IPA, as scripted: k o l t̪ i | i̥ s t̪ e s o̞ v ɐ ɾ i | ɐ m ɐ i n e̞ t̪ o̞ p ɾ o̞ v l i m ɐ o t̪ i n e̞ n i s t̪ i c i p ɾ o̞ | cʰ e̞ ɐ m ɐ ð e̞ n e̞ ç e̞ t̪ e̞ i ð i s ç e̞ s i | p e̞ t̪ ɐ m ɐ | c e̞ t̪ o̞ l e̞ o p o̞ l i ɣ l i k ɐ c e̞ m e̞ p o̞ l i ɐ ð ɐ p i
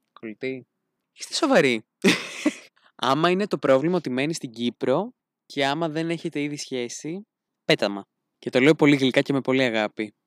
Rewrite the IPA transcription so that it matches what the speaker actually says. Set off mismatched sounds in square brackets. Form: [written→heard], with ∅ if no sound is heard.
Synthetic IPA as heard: k o l t̪ i | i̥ s t̪ e s o̞ v ɐ ɾ i | ɐ m ɐ i n e̞ t̪ o̞ p ɾ o̞ v l i m ɐ o t̪ i [n→m] e̞ n i s t̪ i [c→ɟ] i p ɾ o̞ | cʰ e̞ ɐ m ɐ ð e̞ n e̞ ç e̞ t̪ e̞ i ð i s ç e̞ s i | p e̞ t̪ ɐ m ɐ | c e̞ t̪ o̞ l e̞ o p o̞ l i ɣ l i k ɐ c e̞ m e̞ p o̞ l i ɐ [ð→ɣ] ɐ p i